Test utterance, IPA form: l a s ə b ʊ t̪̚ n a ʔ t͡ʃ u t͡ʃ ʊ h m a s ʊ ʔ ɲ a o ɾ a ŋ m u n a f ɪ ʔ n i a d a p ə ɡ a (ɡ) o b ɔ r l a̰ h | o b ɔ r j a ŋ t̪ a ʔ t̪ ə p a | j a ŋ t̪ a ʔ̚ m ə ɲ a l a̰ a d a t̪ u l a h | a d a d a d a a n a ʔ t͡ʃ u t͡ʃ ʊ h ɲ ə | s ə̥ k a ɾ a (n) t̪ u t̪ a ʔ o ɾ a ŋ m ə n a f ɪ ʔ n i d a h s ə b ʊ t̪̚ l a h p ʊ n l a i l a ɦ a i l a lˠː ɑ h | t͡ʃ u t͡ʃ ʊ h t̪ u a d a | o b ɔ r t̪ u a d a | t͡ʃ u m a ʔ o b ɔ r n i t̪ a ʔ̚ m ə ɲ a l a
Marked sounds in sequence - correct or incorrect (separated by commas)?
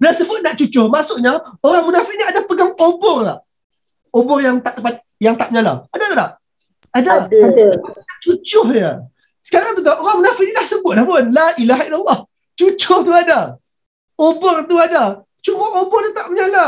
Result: incorrect, incorrect